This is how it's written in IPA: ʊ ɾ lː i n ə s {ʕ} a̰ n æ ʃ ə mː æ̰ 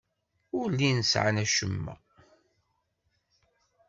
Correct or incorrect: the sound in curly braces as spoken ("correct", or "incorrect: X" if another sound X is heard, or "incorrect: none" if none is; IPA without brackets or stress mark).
correct